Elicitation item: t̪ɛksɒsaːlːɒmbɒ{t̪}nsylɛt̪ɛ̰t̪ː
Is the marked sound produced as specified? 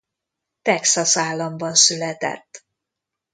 no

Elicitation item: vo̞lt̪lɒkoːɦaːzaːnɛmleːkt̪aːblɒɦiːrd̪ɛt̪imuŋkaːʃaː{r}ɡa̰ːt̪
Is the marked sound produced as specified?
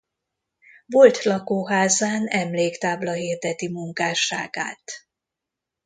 no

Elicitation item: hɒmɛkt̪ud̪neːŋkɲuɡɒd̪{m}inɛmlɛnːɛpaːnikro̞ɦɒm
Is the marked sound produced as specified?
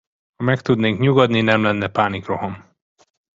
no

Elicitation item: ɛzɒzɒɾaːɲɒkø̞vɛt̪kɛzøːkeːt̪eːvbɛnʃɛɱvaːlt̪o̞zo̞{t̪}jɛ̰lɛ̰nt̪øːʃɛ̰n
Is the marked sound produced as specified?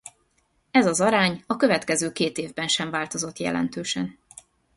yes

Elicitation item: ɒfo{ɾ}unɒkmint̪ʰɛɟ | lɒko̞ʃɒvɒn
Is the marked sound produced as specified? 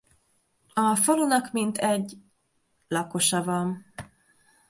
no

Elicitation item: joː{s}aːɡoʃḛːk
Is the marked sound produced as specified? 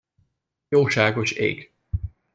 no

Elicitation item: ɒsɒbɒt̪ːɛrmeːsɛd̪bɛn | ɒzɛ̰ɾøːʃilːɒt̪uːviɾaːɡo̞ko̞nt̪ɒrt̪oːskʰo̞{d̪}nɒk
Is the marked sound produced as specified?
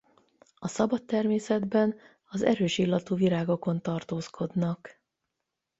yes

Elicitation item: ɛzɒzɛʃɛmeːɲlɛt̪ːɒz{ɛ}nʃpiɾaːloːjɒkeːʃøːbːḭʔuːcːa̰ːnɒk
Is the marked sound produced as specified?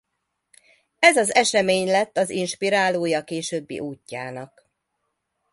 no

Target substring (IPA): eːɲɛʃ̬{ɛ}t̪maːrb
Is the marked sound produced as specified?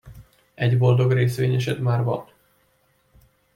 yes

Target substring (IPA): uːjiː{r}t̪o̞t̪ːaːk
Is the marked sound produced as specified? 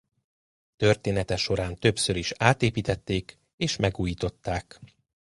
no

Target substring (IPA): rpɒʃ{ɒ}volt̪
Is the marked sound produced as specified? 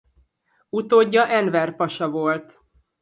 yes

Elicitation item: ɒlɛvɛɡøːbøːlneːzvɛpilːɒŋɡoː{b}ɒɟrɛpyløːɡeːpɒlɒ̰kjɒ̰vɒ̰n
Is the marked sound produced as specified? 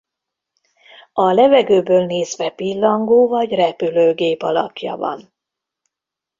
no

